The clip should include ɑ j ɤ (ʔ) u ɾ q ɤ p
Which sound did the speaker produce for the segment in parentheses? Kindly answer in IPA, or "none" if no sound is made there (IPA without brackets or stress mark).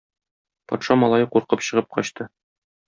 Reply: q